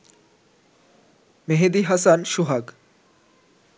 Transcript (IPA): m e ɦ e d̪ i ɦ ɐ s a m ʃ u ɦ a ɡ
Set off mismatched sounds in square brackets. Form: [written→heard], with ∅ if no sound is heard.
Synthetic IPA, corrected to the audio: m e ɦ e d̪ i ɦ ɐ s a [m→n] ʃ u ɦ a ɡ